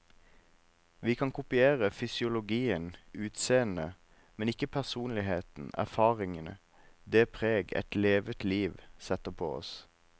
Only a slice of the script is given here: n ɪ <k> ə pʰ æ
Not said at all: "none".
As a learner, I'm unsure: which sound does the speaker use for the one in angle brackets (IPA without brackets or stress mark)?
k